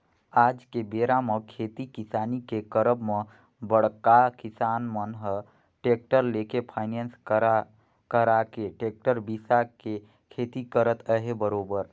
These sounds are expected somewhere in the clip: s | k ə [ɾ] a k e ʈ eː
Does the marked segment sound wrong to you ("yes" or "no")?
no